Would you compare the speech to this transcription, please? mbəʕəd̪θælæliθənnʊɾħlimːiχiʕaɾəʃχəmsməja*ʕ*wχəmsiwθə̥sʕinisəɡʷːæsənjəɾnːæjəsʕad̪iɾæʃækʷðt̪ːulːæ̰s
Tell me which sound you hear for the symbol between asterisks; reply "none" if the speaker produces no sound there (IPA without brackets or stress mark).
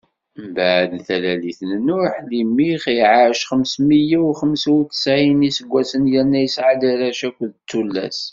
none